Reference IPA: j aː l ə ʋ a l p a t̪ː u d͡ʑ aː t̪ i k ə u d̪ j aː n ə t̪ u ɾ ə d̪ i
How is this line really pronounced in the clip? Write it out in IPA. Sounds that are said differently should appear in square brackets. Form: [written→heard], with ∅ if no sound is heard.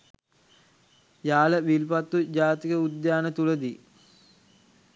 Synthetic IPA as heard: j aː l ə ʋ [a→i] l p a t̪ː u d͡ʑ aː t̪ i k ə u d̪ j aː n ə t̪ u [ɾ→l] ə d̪ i